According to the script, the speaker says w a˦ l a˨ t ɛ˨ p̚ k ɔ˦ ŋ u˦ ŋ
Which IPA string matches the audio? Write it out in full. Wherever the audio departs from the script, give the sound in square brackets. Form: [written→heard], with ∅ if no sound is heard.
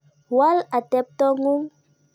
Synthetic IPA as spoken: w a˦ l a˨ t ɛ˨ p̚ [k→t] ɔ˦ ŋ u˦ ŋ

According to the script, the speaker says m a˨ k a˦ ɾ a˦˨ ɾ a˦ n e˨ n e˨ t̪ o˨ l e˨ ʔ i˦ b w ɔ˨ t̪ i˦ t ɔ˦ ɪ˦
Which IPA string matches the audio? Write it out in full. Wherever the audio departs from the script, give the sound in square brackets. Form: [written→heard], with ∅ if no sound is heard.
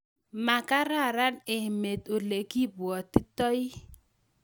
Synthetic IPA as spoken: m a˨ k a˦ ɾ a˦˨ ɾ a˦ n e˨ [n→m] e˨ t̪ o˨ l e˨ [ʔ→k] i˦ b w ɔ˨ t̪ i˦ t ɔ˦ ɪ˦

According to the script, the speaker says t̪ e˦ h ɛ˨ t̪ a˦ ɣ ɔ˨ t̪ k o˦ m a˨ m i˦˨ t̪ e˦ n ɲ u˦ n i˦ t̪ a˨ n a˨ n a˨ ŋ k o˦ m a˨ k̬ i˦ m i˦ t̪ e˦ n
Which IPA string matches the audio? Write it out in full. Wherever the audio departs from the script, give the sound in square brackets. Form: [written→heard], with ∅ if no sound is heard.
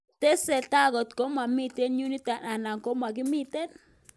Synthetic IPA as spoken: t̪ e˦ [h→s] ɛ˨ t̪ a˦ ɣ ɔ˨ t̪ k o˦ m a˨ m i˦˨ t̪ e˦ n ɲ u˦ n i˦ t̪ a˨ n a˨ n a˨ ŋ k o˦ m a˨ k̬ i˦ m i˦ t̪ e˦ n

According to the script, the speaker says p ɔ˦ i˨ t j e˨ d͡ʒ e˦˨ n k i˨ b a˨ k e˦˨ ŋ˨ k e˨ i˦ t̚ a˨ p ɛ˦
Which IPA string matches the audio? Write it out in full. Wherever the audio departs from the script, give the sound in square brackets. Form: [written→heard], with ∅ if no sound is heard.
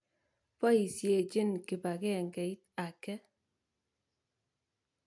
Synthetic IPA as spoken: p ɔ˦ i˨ [t→s] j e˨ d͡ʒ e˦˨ n k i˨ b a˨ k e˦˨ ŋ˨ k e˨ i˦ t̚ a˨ [p→k] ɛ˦

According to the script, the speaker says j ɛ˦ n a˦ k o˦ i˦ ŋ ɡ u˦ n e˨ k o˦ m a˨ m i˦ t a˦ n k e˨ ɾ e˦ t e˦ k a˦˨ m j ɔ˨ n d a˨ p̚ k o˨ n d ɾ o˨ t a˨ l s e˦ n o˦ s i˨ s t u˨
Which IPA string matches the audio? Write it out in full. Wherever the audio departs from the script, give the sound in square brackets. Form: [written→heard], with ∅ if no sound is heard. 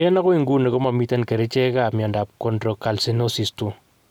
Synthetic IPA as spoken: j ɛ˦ n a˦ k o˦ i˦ ŋ ɡ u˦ n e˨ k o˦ m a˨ m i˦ t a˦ n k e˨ ɾ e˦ [t→t͡ʃ] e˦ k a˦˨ m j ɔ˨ n d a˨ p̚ k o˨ n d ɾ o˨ [t→k] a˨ l s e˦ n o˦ s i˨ s t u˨

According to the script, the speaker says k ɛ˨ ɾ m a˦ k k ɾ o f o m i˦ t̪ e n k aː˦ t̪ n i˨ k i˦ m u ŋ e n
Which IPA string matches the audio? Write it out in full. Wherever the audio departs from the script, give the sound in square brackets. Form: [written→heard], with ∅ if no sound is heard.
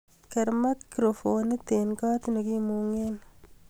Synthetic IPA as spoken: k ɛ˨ ɾ m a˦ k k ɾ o f o [m→n] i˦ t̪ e n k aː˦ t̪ n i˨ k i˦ m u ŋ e n

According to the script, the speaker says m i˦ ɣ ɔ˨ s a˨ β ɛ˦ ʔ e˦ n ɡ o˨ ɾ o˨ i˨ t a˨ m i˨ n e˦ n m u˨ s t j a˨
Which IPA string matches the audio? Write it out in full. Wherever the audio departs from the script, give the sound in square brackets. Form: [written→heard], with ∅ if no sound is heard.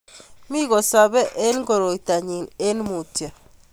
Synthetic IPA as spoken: m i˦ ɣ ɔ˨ s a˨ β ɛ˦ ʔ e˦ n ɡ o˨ ɾ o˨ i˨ t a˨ [m→ɲ] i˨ n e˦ n m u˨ [s→∅] t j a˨

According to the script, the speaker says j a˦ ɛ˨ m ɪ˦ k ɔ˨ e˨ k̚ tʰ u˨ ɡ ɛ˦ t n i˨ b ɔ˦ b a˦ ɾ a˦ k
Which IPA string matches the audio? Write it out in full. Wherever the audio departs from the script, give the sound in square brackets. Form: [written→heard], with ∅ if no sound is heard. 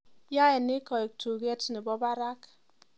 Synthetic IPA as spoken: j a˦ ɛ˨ [m→n] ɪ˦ k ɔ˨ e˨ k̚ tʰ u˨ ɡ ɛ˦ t n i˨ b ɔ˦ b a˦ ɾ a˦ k

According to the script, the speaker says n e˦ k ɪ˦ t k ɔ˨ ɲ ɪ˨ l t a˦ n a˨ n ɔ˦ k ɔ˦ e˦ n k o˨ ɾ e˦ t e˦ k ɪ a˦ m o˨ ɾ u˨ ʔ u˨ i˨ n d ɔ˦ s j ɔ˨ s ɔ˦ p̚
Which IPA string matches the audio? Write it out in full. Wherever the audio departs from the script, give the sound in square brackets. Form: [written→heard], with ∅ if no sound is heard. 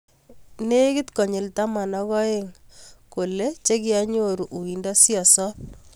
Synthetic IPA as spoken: n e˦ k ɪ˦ t k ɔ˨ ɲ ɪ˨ l t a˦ [n→m] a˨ n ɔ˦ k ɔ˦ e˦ [n→ŋ] k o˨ [ɾ→l] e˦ [t→t͡ʃ] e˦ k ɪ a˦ [m→ɲ] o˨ ɾ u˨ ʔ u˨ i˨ n d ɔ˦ s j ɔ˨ s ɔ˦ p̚

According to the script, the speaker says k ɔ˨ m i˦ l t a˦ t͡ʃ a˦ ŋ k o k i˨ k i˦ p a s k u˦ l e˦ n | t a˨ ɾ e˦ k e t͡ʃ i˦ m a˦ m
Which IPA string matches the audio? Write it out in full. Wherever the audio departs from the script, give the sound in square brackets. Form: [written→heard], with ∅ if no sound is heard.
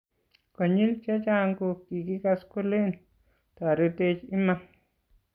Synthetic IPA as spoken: k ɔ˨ [m→ɲ] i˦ l [t→t͡ʃ] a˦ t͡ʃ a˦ ŋ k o k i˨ k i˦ [p→k] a s k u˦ l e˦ n | t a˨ ɾ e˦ [k→t] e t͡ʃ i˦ m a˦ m

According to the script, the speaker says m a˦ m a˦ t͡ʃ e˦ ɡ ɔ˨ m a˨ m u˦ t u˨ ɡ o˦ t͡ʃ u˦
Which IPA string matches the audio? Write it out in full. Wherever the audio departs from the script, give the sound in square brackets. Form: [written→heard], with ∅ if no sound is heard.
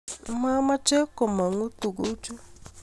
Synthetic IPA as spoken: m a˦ m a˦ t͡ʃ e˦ [ɡ→k] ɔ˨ m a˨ [m→ŋ] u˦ t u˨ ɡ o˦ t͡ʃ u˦

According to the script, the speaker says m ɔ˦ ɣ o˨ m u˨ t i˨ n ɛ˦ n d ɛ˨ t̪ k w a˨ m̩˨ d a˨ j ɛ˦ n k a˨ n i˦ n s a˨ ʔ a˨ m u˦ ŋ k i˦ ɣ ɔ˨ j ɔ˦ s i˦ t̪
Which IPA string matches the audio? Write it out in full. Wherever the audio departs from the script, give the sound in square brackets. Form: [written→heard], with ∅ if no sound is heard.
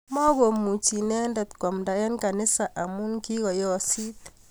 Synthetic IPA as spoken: m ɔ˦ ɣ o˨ m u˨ [t→t͡ʃ] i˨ n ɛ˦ n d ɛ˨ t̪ k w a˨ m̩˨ d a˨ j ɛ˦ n k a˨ n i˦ [n→∅] s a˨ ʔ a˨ m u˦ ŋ k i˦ ɣ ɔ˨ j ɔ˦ s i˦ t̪

